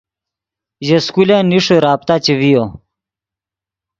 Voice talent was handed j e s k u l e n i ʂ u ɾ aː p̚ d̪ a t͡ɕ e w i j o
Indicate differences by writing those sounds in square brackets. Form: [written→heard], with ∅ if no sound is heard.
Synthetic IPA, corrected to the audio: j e s k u l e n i ʂ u ɾ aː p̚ [d̪→t̪] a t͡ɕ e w i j o